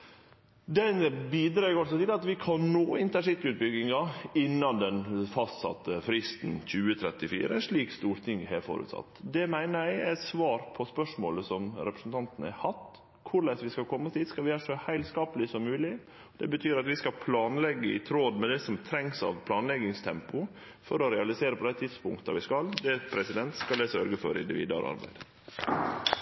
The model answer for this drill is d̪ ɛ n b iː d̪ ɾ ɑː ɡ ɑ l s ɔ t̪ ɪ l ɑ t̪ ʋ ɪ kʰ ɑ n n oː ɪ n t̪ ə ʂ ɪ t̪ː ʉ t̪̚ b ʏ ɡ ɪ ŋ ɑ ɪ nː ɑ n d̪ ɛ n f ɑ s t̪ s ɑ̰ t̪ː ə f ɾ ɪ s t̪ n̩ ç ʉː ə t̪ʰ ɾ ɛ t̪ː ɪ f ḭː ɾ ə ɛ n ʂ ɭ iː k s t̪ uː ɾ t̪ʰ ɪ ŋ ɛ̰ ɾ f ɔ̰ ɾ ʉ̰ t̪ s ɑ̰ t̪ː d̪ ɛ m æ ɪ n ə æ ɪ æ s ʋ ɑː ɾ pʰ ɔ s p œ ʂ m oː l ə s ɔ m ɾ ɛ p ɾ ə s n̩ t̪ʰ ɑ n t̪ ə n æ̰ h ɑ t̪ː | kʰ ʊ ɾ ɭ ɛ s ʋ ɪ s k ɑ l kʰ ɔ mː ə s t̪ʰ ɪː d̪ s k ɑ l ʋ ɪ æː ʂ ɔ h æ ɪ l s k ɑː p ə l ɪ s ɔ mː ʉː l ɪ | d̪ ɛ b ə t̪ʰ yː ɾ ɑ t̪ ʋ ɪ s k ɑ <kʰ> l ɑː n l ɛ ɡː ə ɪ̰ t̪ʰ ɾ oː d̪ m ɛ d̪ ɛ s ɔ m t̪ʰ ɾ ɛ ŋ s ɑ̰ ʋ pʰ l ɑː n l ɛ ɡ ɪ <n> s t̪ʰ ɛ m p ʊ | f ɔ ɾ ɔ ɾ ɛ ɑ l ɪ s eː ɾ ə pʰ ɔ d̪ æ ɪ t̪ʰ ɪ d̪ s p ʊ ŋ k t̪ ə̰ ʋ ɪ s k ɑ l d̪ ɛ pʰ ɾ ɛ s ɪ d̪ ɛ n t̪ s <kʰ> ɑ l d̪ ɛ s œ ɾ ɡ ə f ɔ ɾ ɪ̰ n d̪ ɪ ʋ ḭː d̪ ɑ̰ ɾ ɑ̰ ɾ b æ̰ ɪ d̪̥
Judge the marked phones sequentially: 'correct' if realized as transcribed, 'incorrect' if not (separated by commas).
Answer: incorrect, incorrect, incorrect